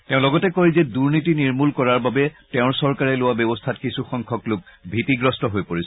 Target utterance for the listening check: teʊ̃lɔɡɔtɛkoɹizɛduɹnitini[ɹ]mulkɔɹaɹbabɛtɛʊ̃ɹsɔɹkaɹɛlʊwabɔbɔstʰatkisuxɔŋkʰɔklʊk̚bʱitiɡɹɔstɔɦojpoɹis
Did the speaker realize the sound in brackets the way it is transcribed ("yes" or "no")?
yes